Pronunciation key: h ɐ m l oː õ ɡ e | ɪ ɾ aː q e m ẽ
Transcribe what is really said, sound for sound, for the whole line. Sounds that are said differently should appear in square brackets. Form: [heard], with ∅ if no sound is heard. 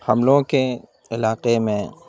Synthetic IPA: h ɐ m l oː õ [k] e | ɪ [l] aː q e m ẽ